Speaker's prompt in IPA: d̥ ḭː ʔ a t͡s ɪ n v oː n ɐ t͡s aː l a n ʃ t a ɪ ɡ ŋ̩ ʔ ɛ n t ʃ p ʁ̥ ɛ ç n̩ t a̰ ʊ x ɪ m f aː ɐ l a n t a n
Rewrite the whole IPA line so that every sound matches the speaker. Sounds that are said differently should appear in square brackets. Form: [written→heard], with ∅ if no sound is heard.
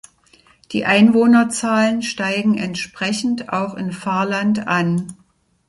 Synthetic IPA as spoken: d̥ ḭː ʔ a [t͡s→∅] ɪ n v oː n ɐ t͡s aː l [a→ə] n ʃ t a ɪ ɡ ŋ̩ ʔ ɛ n t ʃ p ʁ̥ ɛ ç n̩ t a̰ ʊ x ɪ [m→n] f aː ɐ l a n t a n